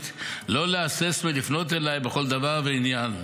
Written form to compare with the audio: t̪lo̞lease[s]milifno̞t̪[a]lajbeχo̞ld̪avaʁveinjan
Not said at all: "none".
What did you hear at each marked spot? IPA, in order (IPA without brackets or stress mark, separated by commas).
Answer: s, e